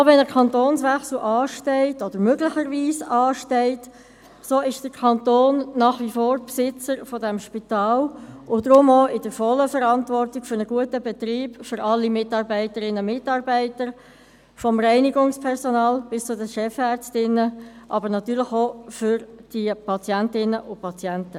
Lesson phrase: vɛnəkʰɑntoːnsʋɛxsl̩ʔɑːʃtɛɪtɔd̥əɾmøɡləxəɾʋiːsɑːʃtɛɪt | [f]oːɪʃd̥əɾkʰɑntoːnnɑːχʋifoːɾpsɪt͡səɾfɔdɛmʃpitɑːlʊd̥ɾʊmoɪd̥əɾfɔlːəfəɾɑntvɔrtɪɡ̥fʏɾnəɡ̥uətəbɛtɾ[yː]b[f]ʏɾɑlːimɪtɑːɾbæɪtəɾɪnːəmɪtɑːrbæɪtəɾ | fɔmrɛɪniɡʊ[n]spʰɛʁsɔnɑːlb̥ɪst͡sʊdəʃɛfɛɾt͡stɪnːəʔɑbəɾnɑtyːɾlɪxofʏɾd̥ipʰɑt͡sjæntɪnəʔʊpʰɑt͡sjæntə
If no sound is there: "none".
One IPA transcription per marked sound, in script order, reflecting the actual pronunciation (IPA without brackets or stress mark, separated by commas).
s, iː, f, ŋ